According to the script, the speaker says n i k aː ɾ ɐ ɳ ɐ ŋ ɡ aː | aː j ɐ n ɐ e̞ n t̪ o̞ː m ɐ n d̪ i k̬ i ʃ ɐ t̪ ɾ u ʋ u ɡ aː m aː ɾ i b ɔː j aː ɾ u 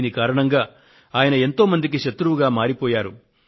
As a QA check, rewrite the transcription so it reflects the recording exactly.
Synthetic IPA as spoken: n i k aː ɾ ɐ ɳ ɐ ŋ ɡ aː | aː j ɐ n ɐ e̞ n t̪ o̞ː m ɐ n d̪ i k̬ i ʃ ɐ t̪ ɾ u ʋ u ɡ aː m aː ɾ i p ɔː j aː ɾ u